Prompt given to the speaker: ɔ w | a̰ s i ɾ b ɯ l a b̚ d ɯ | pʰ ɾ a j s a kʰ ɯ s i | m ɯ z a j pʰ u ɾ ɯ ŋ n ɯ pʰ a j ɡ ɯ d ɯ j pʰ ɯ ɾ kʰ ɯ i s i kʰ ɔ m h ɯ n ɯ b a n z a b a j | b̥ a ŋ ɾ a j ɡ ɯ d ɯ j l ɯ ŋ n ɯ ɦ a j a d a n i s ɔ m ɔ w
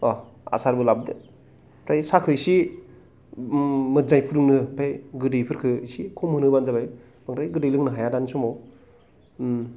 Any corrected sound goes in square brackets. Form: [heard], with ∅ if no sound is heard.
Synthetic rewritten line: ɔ [∅] | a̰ s [a] ɾ b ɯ l a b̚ d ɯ | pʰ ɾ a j s a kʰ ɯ s i | m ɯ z a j pʰ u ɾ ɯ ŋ n ɯ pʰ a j ɡ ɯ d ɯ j pʰ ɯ ɾ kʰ ɯ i s i kʰ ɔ m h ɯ n ɯ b a n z a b a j | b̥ a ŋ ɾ a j ɡ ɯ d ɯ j l ɯ ŋ n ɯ ɦ a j a d a n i s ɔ m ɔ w